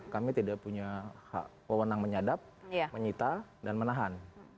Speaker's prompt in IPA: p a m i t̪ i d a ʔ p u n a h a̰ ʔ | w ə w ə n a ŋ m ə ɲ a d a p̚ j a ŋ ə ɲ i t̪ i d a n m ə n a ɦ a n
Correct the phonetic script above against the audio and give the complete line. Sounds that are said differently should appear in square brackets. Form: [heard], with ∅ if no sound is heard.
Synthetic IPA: [k] a m i t̪ i d a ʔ p u [ɲ] a h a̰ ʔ | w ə w ə n a ŋ m ə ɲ a d a p̚ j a [m] ə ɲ i t̪ [a] d a n m ə n a ɦ a n